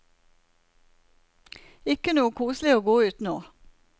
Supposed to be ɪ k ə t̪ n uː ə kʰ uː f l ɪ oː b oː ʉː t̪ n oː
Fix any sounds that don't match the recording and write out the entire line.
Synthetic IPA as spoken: ɪ k ə n uː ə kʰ uː s l ɪ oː ɡ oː ʉː t̪ n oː

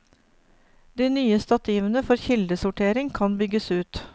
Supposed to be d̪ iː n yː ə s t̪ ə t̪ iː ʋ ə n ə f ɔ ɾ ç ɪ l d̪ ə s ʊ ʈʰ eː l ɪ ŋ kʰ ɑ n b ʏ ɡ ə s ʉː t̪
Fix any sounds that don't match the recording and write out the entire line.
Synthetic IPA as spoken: d̪ iː n yː ə s t̪ ɑ t̪ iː ʋ ə n ə f ɔ ɾ ç ɪ l d̪ ə s ʊ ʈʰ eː ɾ ɪ ŋ kʰ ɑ n b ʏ ɡ ə s ʉː t̪

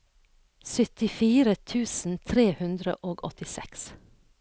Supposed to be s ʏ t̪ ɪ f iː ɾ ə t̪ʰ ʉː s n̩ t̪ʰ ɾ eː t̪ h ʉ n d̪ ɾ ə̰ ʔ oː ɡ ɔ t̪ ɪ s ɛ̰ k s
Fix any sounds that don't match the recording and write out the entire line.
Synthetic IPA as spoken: s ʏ t̪ ɪ f iː ɾ ə t̪ʰ ʉː s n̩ t̪ʰ ɾ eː h ʉ n d̪ ɾ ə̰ ʔ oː ɡ ɔ t̪ ɪ s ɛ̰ k s

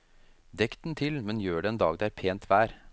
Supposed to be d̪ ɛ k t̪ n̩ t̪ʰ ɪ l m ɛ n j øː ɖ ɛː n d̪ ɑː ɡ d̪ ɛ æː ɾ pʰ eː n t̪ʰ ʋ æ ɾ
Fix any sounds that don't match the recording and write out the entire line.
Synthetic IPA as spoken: d̪ ɛ k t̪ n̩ t̪ʰ ɪ l m ɛ n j øː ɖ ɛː n d̪ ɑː ɡ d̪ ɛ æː ɾ pʰ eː n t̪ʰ ʋ æː ɾ

